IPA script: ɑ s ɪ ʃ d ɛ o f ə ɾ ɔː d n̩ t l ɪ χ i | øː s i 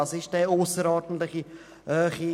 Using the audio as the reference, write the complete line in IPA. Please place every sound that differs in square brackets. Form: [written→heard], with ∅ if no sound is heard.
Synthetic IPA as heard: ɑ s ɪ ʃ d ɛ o [f→s] ə ɾ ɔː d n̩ t l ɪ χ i | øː [s→χ] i

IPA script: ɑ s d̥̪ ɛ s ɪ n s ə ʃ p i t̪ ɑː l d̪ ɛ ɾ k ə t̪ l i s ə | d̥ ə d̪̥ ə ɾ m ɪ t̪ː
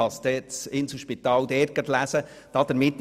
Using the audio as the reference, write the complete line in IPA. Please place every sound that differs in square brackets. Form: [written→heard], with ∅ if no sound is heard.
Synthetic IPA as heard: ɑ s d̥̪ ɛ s ɪ n s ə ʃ p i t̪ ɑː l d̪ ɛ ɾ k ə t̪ l [i→æ] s ə | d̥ [ə→ɑ] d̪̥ ə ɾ m ɪ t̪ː

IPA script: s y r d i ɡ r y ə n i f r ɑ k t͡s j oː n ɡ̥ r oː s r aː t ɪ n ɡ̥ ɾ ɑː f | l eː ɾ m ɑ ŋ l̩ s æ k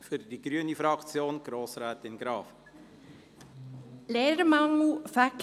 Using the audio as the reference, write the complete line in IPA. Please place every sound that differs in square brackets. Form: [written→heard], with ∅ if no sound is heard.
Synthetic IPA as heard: [s→f] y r d i ɡ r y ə n i f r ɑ k t͡s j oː n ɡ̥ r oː s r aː t ɪ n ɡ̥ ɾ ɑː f | l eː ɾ m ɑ ŋ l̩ [s→f] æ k

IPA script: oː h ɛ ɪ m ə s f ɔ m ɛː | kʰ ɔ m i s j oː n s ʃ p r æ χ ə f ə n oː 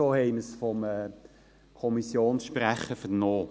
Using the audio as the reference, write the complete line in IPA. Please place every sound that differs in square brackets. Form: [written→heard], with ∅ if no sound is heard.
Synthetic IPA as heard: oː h ɛ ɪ m ə s f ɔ m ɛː | kʰ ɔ m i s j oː n s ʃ p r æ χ ə f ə n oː

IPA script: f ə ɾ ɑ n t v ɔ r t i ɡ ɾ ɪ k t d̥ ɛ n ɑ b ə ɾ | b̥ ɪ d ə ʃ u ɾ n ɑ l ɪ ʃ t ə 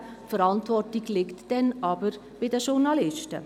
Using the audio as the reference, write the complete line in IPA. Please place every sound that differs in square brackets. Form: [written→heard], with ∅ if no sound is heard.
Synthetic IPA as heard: f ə ɾ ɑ n t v ɔ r t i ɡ [ɾ→l] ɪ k t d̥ ɛ n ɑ b ə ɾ | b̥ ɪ d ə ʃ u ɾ n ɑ l ɪ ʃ t ə

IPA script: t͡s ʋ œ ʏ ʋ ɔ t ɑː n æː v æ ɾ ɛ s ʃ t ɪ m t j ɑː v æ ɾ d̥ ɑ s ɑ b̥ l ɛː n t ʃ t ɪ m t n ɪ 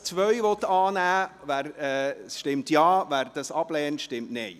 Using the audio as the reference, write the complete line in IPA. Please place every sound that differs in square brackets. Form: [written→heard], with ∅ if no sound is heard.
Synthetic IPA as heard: t͡s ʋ œ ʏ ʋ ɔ t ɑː n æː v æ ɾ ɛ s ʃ t ɪ m t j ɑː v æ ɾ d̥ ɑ s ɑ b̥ l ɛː n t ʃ t ɪ m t n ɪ

